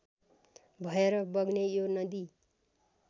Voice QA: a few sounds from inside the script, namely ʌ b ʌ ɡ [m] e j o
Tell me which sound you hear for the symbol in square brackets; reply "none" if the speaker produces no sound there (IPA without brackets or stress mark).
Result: n